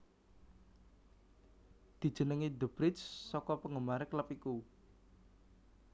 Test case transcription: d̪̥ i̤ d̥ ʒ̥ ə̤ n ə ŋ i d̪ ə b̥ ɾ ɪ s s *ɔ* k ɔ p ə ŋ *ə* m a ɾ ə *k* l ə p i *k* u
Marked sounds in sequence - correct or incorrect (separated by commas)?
correct, correct, correct, correct